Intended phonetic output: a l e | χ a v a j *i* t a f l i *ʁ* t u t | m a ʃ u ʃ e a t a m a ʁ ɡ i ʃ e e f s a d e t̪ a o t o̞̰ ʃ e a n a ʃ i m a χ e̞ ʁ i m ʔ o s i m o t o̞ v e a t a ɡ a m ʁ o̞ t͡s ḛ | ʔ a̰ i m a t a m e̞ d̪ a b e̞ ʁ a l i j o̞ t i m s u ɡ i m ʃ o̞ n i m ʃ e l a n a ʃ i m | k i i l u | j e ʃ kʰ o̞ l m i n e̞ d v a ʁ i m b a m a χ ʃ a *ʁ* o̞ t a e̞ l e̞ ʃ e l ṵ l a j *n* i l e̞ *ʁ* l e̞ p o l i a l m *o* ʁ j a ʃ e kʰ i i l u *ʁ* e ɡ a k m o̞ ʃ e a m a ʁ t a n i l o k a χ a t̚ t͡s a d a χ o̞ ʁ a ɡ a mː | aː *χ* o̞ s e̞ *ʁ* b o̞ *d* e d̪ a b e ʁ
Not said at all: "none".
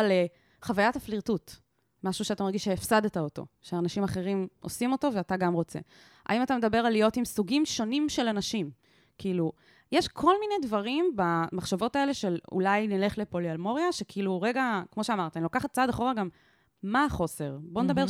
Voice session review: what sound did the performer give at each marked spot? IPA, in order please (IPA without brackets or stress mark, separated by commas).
a, ʁ, v, n, χ, o, ʁ, χ, ʁ, n